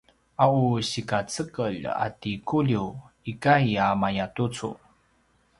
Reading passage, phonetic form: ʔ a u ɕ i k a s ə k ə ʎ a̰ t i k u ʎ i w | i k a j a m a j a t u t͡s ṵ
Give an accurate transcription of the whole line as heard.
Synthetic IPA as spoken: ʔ a u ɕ i k a t͡s ə k ə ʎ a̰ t i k u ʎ i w | i k a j a m a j a t u t͡s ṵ